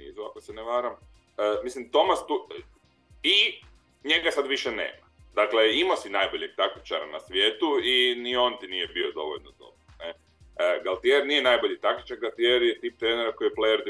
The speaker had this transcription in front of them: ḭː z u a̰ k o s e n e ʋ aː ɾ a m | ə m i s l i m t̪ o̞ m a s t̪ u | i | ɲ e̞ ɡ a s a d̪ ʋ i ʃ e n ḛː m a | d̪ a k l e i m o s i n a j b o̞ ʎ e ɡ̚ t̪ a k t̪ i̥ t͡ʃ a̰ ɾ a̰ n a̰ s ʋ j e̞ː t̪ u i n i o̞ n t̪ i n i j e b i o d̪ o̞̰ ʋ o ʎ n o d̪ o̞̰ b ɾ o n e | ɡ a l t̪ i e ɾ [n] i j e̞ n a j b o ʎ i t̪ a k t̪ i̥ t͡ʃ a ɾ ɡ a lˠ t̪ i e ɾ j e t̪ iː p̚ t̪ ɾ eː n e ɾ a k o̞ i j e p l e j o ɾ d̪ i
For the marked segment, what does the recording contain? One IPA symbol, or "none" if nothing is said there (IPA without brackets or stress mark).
n